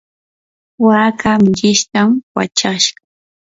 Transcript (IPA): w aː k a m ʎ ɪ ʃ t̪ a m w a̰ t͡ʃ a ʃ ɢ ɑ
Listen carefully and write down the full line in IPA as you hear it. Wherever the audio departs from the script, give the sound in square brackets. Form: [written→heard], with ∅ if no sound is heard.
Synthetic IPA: w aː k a m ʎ ɪ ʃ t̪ a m w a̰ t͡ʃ a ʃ ɢ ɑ